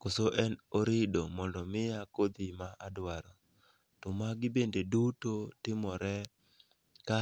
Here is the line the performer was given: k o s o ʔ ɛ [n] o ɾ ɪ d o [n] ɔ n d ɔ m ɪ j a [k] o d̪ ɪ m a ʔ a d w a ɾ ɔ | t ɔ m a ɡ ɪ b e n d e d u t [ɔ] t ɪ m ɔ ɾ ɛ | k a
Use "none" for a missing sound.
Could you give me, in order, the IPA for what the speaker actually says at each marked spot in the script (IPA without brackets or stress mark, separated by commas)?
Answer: n, m, k, o